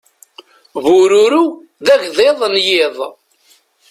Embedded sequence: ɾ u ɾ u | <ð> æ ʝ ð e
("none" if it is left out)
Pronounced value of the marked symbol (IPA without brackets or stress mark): ð